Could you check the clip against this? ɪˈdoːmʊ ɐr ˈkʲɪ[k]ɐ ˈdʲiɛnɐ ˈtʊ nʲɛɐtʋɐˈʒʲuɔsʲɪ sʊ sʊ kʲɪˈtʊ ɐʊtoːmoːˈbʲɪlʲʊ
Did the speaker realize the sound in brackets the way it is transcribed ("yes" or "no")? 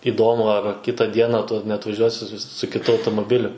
no